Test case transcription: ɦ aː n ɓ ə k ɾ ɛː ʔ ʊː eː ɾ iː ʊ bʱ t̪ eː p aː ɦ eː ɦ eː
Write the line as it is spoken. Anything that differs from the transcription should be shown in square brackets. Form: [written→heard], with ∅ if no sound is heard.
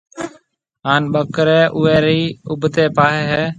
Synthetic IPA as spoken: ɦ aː n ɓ ə k ɾ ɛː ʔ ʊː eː ɾ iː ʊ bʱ t̪ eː p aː ɦ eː ɦ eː